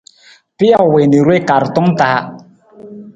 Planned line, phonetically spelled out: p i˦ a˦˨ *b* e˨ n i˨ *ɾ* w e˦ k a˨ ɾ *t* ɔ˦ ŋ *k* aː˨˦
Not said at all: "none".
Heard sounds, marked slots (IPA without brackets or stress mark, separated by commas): w, ɾ, t, t